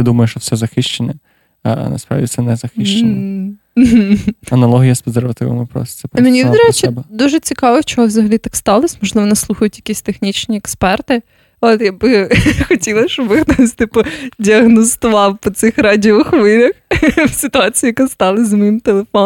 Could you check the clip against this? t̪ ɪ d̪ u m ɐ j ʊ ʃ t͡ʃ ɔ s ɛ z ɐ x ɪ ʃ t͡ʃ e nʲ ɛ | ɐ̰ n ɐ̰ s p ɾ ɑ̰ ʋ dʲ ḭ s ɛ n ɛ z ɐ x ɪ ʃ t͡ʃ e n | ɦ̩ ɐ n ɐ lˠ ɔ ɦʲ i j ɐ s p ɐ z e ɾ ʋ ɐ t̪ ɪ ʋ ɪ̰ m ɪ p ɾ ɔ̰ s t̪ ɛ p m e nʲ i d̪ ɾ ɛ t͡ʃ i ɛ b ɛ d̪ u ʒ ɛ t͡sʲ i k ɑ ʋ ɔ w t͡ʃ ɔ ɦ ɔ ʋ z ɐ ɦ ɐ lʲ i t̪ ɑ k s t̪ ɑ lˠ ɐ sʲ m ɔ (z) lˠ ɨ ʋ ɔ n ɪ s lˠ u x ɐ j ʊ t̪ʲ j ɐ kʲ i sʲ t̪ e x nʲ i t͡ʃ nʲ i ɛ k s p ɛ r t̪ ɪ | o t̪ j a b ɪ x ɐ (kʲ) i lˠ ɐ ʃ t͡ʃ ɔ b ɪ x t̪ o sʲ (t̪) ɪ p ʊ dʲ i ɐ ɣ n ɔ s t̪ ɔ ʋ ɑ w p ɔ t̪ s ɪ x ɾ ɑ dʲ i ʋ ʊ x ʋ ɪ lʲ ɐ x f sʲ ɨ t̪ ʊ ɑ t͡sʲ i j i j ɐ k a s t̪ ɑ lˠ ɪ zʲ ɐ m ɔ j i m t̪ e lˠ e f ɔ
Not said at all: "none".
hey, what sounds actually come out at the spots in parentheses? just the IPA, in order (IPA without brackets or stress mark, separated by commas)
ʒ, tʲ, t̪